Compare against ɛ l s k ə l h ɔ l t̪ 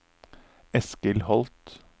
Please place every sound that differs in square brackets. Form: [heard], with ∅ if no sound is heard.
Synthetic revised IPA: ɛ [∅] s k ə l h ɔ l t̪

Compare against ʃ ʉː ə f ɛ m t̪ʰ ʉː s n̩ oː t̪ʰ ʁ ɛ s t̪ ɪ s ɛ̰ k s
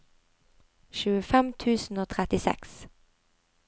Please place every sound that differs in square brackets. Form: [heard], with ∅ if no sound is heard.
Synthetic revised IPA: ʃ ʉː ə f ɛ m t̪ʰ ʉː s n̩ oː t̪ʰ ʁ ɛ [∅] t̪ ɪ s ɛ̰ k s

